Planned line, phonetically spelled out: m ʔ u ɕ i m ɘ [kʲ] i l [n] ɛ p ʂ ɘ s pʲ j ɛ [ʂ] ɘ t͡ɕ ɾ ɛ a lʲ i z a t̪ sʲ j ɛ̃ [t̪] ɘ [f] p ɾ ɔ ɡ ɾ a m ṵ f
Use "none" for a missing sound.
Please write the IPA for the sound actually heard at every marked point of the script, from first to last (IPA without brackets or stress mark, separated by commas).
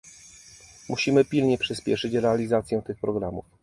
pʲ, ɲ, ʂ, t̪, x